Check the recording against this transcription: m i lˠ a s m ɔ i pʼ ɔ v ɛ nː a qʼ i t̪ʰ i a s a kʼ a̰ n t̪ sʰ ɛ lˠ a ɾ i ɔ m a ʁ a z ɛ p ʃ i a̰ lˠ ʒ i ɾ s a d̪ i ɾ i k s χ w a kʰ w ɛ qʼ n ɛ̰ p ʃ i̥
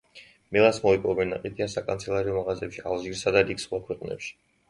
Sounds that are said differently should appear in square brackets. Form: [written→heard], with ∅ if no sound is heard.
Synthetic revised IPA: m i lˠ a s m ɔ i pʼ ɔ v ɛ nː a qʼ i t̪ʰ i a s a kʼ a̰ n t̪ sʰ ɛ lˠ a ɾ i ɔ m a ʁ a z ɛ p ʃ i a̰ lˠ ʒ i ɾ s a d̪ [i→a] ɾ i k s χ w a kʰ w ɛ qʼ n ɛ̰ p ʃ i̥